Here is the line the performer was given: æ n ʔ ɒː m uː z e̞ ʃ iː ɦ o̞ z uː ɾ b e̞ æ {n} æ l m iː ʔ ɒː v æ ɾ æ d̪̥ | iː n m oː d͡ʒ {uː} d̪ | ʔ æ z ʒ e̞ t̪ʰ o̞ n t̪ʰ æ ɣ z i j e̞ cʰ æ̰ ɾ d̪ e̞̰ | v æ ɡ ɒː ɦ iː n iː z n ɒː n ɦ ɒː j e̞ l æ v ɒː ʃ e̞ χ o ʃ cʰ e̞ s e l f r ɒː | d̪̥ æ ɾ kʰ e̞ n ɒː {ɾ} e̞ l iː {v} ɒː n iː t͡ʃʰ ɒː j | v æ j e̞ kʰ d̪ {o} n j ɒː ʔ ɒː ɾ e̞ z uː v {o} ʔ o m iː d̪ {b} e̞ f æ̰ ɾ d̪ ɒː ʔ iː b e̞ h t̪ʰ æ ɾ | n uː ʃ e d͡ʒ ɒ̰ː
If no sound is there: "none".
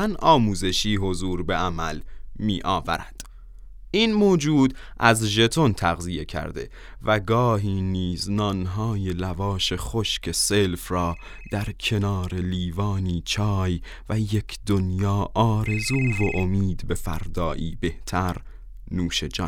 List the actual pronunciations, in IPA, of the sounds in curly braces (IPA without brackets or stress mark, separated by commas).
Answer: m, uː, ɾ, v, o, o, b